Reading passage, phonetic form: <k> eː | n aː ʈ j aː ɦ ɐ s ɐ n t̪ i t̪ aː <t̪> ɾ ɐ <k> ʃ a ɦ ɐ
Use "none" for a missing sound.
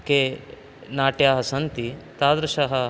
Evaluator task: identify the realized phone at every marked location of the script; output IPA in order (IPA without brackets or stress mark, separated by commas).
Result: k, d̪, none